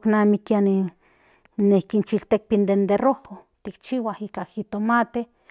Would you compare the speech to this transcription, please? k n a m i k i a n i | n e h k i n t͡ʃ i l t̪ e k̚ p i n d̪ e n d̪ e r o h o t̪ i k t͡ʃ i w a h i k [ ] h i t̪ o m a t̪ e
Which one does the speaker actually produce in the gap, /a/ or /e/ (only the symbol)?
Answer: a